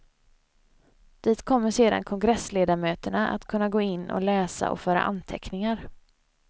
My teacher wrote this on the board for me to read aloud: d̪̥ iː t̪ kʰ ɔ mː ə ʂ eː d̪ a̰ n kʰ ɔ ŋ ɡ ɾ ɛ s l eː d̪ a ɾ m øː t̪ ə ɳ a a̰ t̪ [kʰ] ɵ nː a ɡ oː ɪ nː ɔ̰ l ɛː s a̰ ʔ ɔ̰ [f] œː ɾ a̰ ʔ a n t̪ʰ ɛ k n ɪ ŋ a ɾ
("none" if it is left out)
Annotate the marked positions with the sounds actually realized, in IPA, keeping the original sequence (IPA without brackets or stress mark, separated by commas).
kʰ, f